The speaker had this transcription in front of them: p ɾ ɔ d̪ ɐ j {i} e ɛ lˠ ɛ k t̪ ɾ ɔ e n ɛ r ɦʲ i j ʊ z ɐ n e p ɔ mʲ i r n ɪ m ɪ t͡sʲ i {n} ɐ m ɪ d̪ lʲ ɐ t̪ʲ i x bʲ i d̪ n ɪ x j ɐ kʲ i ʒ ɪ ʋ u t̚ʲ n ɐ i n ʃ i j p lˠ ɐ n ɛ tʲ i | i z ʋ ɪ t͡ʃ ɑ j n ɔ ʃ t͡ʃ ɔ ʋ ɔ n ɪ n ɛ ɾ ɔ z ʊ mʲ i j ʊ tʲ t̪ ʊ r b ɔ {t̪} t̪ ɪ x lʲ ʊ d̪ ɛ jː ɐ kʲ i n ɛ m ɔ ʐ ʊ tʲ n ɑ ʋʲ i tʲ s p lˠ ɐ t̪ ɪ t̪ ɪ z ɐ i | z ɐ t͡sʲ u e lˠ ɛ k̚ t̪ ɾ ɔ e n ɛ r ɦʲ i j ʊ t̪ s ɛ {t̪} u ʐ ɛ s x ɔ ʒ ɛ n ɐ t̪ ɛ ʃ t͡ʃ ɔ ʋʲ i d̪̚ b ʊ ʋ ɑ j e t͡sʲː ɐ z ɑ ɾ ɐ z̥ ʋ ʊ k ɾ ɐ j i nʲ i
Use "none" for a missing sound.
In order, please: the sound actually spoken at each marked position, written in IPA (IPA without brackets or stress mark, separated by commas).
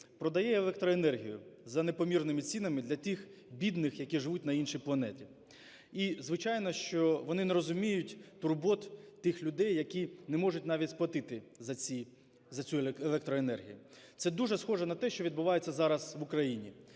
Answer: ɛ, n, t̪, d̪